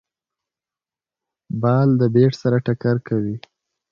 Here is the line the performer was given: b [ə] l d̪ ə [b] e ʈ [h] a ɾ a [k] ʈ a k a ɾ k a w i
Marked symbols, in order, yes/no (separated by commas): no, yes, no, no